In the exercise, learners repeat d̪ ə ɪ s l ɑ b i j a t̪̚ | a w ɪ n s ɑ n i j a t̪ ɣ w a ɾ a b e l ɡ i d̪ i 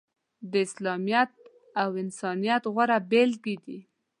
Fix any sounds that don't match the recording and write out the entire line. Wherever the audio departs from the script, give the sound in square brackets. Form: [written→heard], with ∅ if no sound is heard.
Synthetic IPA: d̪ ə ɪ s l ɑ [b→m] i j a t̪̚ | a w ɪ n s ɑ n i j a t̪ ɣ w a ɾ a b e l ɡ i d̪ i